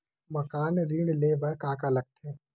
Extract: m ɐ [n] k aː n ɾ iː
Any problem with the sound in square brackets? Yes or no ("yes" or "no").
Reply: yes